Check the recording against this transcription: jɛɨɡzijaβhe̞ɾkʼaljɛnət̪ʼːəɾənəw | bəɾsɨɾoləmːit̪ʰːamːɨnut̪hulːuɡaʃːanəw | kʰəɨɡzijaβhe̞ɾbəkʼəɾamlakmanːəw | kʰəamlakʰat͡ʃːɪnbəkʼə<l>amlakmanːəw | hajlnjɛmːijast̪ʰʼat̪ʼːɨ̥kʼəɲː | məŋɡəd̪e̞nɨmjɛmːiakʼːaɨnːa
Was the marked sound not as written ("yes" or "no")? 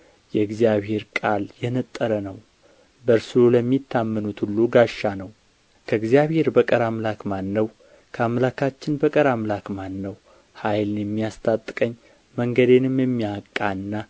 yes